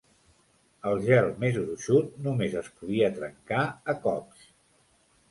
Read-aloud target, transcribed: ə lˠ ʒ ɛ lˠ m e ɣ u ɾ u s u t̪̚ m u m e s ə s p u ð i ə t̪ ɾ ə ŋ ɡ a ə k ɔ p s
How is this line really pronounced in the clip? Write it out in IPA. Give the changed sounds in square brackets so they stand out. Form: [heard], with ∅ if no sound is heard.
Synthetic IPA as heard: ə lˠ ʒ ɛ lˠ m e [z] u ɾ u [ʃ] u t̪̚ [n] u m e [z] ə s p u ð i ə t̪ ɾ ə ŋ [k] a ə k ɔ p s